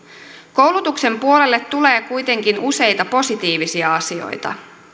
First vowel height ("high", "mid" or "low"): mid